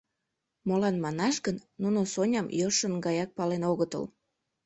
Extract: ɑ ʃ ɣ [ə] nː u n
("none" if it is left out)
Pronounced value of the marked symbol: ə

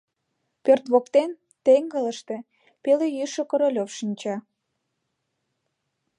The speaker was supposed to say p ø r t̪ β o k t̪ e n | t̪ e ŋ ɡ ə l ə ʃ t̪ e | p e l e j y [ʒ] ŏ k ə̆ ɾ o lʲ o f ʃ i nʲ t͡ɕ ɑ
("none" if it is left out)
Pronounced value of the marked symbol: ʃ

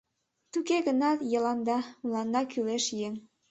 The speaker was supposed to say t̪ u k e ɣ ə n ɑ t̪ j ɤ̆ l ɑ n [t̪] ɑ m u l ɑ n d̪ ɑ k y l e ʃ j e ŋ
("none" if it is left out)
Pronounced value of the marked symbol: d̪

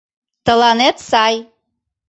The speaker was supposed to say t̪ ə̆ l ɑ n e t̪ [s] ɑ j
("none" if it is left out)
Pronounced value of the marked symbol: s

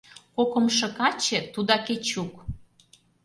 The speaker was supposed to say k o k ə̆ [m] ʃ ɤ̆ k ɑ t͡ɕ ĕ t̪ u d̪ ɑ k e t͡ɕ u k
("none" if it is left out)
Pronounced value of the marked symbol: m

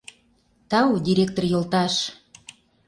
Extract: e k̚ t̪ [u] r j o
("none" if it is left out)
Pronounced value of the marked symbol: o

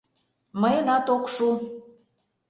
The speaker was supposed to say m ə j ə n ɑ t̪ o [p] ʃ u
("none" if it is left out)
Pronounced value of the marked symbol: k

